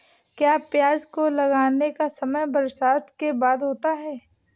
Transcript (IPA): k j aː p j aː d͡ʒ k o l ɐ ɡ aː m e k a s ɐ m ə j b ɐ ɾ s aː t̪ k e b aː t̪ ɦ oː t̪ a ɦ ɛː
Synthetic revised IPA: k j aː p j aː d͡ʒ k o l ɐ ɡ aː n e k a s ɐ m ə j b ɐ ɾ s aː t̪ k e b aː d̪ ɦ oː t̪ a ɦ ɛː